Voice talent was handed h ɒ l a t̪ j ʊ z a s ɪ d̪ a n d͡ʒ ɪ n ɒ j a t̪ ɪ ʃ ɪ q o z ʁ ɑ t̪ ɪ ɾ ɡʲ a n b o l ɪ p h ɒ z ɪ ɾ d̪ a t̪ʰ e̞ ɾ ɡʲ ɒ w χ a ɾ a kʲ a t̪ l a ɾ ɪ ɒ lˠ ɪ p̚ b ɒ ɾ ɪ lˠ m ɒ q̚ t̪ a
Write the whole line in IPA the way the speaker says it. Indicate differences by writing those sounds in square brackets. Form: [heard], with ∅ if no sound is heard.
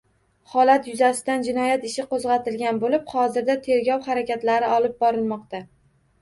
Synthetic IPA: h ɒ l a t̪ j ʊ z a s ɪ d̪ a n d͡ʒ ɪ n ɒ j a t̪ ɪ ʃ ɪ q o z ʁ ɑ t̪ ɪ [l] ɡʲ a n b o l ɪ p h ɒ z ɪ ɾ d̪ a t̪ʰ e̞ ɾ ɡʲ ɒ w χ a ɾ a kʲ a t̪ l a ɾ ɪ ɒ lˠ ɪ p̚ b ɒ ɾ ɪ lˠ m ɒ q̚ t̪ a